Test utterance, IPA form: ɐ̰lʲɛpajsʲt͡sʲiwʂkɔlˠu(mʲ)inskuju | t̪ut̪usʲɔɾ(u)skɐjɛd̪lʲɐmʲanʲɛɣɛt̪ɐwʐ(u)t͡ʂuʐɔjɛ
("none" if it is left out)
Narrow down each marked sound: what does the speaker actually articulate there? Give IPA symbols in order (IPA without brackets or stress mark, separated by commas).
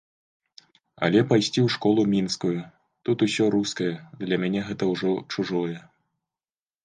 mʲ, u, ɔ